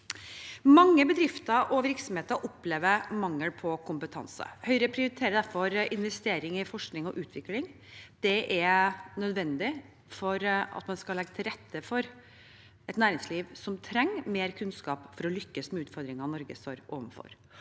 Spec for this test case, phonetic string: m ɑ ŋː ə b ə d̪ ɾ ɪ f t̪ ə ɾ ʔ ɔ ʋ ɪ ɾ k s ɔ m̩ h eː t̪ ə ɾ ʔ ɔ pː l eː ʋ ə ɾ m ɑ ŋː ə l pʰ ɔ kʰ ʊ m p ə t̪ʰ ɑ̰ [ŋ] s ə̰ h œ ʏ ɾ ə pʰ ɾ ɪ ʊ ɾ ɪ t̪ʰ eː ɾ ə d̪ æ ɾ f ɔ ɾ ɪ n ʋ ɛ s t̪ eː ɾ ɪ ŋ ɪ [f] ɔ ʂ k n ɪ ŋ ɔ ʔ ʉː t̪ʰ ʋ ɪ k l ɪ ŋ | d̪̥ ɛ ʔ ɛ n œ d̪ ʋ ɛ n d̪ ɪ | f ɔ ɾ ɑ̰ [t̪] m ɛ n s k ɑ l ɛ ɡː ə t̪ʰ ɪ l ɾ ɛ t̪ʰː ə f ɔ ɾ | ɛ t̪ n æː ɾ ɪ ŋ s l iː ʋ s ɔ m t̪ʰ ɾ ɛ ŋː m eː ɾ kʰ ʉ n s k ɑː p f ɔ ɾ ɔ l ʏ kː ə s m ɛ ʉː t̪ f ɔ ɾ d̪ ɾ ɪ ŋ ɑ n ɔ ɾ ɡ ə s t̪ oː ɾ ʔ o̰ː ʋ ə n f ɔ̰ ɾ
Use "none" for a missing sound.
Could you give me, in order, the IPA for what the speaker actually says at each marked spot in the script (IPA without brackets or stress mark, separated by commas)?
n, f, t̪